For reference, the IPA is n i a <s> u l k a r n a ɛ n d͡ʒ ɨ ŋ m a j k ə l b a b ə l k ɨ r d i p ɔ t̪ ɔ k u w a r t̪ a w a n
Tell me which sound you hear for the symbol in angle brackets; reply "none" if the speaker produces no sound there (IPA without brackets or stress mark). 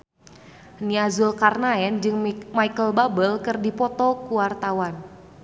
z